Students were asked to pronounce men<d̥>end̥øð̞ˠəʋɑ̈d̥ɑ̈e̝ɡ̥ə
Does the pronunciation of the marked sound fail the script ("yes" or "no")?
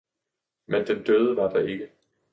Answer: no